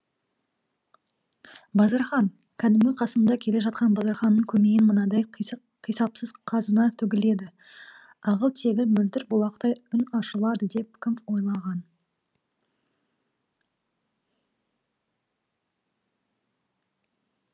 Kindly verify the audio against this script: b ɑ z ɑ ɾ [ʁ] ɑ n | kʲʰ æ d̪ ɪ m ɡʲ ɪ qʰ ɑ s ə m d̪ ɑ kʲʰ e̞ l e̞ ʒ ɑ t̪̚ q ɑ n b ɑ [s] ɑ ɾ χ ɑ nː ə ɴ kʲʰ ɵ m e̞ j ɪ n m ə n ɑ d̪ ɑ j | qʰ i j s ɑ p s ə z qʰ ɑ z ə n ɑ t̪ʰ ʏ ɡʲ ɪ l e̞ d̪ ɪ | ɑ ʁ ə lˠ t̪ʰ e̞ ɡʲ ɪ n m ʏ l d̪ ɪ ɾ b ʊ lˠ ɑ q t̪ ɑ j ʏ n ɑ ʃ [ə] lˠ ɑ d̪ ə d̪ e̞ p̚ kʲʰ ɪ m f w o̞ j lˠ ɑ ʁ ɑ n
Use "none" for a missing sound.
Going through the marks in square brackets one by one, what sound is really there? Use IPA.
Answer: χ, z, ə

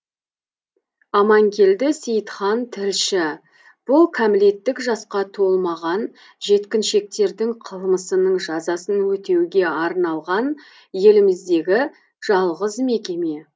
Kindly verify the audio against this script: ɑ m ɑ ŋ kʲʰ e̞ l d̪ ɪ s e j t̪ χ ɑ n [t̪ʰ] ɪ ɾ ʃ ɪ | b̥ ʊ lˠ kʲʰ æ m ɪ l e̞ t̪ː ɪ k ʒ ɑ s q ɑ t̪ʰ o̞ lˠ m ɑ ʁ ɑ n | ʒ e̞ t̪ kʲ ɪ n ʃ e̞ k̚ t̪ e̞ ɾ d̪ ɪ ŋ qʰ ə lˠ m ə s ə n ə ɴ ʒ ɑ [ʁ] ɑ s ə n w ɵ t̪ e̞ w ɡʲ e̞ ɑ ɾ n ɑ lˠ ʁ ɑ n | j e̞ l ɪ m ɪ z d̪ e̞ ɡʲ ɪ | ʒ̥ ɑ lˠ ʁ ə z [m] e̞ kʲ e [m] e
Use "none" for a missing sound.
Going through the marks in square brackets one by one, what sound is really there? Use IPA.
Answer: t̪ʰ, z, m, m

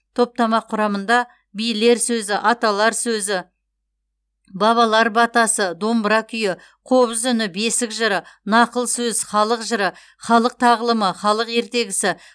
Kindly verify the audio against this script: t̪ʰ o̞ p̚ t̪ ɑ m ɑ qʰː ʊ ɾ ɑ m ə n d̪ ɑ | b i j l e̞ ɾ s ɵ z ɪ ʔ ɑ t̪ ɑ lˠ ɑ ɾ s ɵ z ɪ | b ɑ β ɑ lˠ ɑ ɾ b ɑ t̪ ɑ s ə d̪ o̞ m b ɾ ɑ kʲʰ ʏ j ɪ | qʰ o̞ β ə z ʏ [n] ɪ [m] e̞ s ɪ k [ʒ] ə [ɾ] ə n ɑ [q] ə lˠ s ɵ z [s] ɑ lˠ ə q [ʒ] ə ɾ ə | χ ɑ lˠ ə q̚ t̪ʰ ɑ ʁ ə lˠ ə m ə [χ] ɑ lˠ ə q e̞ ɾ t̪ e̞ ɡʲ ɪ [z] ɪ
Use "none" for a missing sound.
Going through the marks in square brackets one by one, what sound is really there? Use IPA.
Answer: n, b, ʒ, ɾ, q, χ, ʒ, χ, s

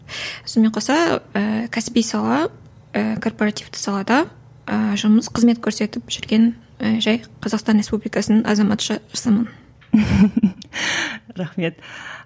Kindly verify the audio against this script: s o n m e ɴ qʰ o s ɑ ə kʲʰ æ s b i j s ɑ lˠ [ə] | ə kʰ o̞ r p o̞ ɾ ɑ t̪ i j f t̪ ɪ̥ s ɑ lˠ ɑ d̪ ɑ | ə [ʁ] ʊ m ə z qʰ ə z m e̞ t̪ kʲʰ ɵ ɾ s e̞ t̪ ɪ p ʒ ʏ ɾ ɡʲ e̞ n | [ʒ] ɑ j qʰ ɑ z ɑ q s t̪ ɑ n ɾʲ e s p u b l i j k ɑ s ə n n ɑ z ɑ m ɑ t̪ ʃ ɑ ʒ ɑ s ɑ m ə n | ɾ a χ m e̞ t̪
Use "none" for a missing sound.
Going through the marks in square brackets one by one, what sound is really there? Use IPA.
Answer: ɑ, ʒ, ʒ

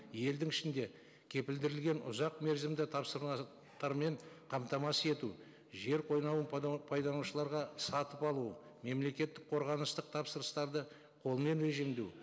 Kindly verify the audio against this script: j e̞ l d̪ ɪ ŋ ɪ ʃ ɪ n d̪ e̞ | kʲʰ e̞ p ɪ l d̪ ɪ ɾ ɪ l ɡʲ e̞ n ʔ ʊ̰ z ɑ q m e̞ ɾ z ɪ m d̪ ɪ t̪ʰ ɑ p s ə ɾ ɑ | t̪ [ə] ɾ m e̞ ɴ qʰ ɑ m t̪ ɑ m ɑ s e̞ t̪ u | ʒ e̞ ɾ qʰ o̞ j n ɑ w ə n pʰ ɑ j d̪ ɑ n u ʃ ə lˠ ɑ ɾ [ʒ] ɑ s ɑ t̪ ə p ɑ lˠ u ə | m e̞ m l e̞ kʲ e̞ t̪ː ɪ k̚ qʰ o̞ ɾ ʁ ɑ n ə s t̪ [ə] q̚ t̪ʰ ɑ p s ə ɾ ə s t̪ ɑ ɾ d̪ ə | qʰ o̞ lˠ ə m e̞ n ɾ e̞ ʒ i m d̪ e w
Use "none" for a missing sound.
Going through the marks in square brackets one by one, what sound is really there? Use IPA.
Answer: ɑ, ʁ, ə

